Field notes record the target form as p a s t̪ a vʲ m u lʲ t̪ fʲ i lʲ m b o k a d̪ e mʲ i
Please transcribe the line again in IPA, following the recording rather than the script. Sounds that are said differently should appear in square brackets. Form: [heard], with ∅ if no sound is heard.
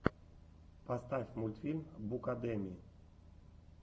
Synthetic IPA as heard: p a s t̪ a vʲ m u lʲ t̪ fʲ i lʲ m b [u] k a d̪ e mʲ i